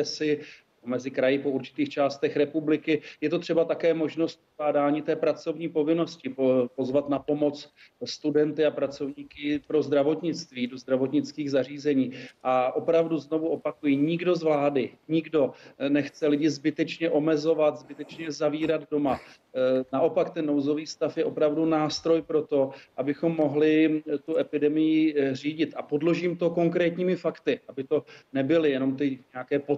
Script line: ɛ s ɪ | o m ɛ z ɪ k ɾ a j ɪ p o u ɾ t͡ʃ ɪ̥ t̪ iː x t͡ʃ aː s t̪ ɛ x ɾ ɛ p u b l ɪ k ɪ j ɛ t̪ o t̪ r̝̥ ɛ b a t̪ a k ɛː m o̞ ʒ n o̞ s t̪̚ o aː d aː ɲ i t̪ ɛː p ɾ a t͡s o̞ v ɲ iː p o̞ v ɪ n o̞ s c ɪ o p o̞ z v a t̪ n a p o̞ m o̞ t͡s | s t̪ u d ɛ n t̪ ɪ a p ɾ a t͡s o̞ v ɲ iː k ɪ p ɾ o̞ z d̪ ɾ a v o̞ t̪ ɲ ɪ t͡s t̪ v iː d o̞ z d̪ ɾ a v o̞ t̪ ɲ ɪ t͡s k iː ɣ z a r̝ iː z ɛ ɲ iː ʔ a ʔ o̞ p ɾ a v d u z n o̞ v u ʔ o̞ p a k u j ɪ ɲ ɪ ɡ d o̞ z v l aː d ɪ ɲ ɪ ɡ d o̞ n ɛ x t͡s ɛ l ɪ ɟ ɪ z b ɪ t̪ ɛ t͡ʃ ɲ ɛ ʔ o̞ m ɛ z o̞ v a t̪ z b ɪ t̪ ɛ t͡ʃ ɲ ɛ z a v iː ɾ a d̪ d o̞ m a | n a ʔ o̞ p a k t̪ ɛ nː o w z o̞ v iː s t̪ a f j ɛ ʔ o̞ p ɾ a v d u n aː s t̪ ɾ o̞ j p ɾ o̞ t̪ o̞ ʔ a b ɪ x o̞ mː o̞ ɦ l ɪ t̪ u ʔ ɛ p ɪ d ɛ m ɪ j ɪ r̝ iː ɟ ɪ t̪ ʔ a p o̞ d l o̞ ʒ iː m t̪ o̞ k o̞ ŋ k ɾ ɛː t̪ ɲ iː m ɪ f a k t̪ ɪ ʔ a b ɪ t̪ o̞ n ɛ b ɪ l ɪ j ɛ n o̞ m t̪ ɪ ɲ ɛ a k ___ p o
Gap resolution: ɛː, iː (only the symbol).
ɛː